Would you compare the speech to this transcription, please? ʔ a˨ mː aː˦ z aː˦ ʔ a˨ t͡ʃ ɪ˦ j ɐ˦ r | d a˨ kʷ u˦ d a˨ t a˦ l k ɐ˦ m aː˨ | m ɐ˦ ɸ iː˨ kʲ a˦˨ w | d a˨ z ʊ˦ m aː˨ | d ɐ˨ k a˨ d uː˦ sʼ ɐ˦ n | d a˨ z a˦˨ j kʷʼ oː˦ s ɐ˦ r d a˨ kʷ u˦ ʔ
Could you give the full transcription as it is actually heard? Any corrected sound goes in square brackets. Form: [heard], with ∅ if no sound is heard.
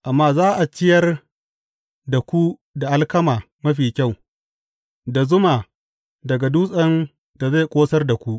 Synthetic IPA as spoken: ʔ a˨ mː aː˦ z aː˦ ʔ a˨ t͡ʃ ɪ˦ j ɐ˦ r | d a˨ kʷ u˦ d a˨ [ʔ] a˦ l k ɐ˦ m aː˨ | m ɐ˦ ɸ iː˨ kʲ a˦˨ w | d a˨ z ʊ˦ m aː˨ | d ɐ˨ [ɡ] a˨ d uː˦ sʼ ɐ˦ n | d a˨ z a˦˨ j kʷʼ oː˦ s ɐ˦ r d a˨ kʷ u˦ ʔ